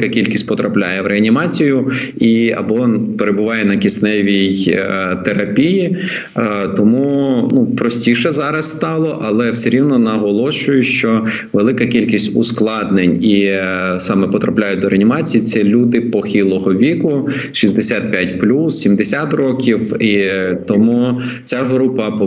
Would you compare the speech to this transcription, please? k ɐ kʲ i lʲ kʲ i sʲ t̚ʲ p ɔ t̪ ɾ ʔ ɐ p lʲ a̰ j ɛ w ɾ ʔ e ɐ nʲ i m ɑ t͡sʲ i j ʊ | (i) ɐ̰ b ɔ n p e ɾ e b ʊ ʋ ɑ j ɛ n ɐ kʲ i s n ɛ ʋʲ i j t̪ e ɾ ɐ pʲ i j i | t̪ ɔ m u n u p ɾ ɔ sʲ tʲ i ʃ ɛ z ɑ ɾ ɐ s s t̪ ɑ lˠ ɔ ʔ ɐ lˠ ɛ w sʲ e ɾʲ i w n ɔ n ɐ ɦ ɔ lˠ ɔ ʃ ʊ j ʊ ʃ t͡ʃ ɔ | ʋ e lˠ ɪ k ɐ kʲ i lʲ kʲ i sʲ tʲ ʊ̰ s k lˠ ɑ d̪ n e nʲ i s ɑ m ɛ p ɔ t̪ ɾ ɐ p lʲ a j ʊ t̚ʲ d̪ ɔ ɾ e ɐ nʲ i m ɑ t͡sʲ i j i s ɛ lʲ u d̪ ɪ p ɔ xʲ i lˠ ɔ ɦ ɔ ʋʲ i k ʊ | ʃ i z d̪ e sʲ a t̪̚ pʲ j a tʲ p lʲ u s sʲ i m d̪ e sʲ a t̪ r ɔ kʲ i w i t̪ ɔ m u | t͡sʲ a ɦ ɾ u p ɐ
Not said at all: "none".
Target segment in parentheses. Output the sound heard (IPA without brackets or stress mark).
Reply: i